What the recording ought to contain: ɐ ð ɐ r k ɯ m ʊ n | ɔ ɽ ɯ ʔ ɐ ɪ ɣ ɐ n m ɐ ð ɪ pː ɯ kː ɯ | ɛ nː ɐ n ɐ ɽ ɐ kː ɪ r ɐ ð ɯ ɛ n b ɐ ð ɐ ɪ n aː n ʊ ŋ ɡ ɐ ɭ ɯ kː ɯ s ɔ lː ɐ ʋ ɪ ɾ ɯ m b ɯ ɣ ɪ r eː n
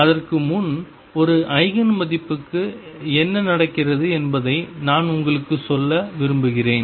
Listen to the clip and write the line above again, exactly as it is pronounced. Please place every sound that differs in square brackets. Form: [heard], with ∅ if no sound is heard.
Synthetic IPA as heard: ɐ ð ɐ r k ɯ m ʊ n | ɔ [ɾ] ɯ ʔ ɐ ɪ ɣ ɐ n m ɐ ð ɪ pː ɯ kː ɯ | ɛ nː ɐ n ɐ ɽ ɐ kː ɪ r ɐ ð ɯ ɛ n b ɐ ð ɐ ɪ n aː n ʊ ŋ ɡ ɐ ɭ ɯ kː ɯ s ɔ lː ɐ ʋ ɪ ɾ ɯ m b ɯ ɣ ɪ r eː n

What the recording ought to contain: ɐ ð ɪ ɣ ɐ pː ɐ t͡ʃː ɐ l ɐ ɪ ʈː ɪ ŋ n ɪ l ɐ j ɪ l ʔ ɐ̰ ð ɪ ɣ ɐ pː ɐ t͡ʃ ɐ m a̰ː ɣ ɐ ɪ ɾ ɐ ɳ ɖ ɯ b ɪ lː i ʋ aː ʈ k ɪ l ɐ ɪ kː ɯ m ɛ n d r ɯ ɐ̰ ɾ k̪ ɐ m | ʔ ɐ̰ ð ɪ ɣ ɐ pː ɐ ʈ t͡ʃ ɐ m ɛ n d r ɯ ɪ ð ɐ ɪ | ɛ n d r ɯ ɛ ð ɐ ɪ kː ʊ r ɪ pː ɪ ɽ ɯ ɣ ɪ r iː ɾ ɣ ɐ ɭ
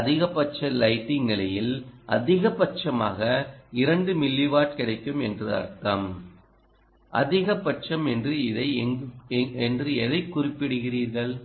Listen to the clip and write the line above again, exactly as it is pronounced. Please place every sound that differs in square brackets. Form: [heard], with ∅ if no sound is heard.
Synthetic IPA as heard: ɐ ð ɪ ɣ ɐ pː ɐ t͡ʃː ɐ l ɐ ɪ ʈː ɪ ŋ n ɪ l ɐ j ɪ l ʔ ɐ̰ ð ɪ ɣ ɐ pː ɐ t͡ʃ ɐ m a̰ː ɣ ɐ ɪ ɾ ɐ ɳ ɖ ɯ [m] ɪ lː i ʋ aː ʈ k ɪ [ɽ] ɐ ɪ kː ɯ m ɛ n d r ɯ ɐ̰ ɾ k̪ ɐ m | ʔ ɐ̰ ð ɪ ɣ ɐ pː ɐ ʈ t͡ʃ ɐ m ɛ n d r ɯ ɪ ð ɐ ɪ | ɛ n d r ɯ ɛ ð ɐ ɪ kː ʊ r ɪ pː ɪ ɽ ɯ ɣ ɪ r iː ɾ ɣ ɐ ɭ

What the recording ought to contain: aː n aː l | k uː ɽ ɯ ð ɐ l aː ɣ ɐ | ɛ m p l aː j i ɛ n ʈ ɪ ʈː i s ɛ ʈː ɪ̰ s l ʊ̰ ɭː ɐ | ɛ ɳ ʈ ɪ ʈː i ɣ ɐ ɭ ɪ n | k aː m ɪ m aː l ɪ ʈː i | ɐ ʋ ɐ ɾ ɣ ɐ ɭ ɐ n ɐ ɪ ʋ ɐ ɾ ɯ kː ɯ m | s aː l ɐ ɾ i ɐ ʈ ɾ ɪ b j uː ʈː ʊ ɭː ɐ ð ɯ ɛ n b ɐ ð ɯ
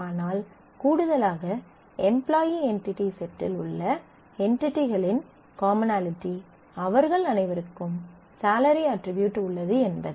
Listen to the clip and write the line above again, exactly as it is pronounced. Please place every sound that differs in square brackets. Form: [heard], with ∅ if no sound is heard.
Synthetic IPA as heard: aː n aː l | k uː ɽ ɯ ð ɐ l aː ɣ ɐ | ɛ m p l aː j i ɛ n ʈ ɪ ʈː i s ɛ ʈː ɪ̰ [∅] l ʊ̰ ɭː ɐ | ɛ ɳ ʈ ɪ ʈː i ɣ ɐ ɭ ɪ n | k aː m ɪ [n] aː l ɪ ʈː i | ɐ ʋ ɐ ɾ ɣ ɐ ɭ ɐ n ɐ ɪ ʋ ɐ ɾ ɯ kː ɯ m | s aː l ɐ ɾ i ɐ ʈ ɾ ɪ b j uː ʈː ʊ ɭː ɐ ð ɯ ɛ n b ɐ ð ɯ

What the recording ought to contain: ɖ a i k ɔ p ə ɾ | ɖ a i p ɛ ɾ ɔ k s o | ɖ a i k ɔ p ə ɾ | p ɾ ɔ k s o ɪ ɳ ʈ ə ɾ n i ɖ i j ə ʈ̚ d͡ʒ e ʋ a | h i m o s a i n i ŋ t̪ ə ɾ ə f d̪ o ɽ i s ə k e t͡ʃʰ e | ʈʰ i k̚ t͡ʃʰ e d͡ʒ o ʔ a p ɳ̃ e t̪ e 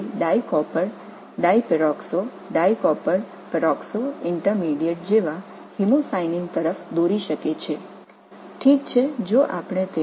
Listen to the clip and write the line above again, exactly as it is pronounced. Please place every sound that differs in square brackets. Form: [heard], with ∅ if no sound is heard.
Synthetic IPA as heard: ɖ a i k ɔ p ə ɾ | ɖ a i p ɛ ɾ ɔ k s o | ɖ a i k ɔ p ə ɾ | p ɾ ɔ k s o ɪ ɳ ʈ ə ɾ [m] i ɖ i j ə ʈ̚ d͡ʒ e ʋ a | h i m o s a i n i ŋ t̪ ə ɾ ə f d̪ o [ɾ] i [ʃ] ə k e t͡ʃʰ e | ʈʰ i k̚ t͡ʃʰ e d͡ʒ o ʔ a p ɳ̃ e t̪ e

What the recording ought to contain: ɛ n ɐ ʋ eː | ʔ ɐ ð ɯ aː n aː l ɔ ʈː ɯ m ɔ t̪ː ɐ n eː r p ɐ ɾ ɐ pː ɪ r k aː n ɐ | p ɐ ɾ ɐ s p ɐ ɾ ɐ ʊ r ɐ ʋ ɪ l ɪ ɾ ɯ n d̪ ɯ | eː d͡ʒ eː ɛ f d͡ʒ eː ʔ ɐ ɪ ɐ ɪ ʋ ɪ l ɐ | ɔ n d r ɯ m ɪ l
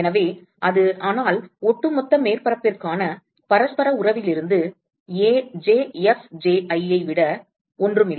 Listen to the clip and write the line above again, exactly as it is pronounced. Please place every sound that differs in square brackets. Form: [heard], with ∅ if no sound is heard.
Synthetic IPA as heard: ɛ n ɐ ʋ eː | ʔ ɐ ð ɯ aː n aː l ɔ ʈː ɯ m ɔ t̪ː ɐ [m] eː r p ɐ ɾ ɐ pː ɪ r k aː n ɐ | p ɐ ɾ ɐ s p ɐ ɾ ɐ ʊ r ɐ ʋ ɪ l ɪ ɾ ɯ n d̪ ɯ | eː d͡ʒ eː ɛ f d͡ʒ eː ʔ ɐ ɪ ɐ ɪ ʋ ɪ [ɽ] ɐ | ɔ n d r ɯ m ɪ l

